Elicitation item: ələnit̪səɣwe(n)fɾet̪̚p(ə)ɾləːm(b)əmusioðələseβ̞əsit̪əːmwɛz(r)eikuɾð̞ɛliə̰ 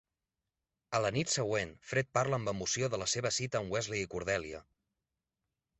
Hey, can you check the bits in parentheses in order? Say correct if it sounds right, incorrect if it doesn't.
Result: correct, incorrect: a, correct, incorrect: l

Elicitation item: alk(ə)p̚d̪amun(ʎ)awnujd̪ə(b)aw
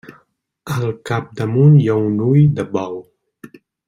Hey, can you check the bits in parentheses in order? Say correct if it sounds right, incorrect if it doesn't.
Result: incorrect: a, incorrect: j, correct

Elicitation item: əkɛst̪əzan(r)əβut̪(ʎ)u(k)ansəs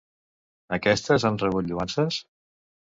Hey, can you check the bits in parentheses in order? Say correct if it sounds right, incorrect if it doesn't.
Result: correct, correct, incorrect: none

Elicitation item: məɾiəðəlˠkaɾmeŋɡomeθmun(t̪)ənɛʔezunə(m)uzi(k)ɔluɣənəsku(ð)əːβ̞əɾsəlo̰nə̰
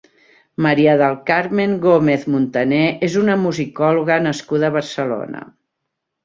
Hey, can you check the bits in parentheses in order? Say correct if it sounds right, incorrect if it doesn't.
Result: correct, correct, correct, correct

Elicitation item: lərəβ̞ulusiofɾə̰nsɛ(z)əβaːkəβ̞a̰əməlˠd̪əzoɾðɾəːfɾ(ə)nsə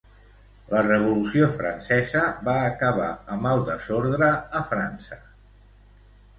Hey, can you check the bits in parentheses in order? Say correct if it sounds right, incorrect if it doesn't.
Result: correct, incorrect: a

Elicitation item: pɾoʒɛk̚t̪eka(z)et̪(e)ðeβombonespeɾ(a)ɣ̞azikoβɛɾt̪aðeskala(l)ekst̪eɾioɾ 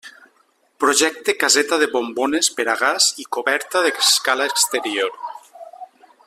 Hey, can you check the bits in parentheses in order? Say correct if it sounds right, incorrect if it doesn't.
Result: correct, incorrect: a, correct, incorrect: none

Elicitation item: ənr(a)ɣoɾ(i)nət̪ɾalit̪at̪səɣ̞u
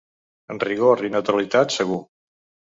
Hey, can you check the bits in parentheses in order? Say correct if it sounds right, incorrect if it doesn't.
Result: incorrect: i, correct

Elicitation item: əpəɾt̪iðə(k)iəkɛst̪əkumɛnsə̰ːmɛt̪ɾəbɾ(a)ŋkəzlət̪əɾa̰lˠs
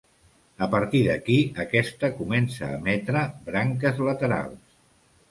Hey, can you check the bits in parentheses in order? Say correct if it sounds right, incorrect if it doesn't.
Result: correct, correct

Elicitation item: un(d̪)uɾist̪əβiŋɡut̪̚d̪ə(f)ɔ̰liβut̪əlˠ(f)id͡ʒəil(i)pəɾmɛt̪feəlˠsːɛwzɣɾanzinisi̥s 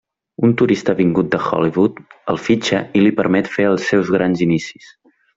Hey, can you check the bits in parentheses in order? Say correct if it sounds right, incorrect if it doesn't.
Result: incorrect: t̪, incorrect: x, correct, correct

